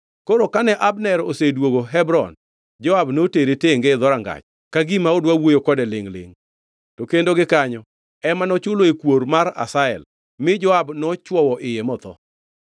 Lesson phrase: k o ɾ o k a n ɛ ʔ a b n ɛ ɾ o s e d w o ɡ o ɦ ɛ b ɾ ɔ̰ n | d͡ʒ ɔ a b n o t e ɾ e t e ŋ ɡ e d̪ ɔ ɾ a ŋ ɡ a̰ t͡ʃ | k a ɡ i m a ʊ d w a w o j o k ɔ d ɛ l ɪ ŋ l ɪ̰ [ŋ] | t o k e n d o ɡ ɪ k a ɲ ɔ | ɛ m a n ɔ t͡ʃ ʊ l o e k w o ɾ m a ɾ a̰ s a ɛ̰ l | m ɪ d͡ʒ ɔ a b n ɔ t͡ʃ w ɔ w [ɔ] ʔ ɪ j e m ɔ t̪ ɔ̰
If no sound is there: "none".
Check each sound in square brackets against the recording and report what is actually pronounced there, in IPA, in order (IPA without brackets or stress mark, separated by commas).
ŋ, ɔ